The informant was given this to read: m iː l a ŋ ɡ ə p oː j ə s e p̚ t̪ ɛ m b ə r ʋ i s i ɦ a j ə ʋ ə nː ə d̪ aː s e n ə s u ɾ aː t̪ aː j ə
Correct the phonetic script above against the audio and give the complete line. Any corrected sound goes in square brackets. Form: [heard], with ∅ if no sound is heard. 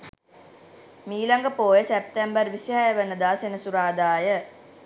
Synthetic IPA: m iː l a ŋ ɡ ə p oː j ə s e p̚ t̪ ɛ m b ə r ʋ i s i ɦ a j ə ʋ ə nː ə d̪ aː s e n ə s u ɾ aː [d̪] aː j ə